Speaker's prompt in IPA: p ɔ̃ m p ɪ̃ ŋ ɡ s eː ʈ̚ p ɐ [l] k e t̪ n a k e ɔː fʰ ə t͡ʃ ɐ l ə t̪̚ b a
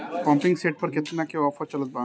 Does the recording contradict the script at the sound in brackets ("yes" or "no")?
yes